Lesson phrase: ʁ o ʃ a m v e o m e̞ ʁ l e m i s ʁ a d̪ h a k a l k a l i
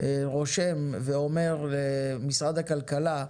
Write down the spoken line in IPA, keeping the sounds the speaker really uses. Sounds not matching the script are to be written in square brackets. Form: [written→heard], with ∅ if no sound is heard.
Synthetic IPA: ʁ o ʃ [a→e] m v e o m e̞ ʁ l e m i s ʁ a d̪ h a k a l k a l [i→a]